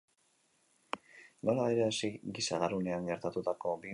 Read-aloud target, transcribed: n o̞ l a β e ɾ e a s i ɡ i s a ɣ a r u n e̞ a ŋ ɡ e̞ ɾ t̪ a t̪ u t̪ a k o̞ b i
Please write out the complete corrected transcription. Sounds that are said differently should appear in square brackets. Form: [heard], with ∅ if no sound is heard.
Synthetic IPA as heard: n o̞ l a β e ɾ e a s i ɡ i s a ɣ a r u n e̞ a ŋ ɡ e̞ ɾ t̪ a t̪ u t̪ a k o̞ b i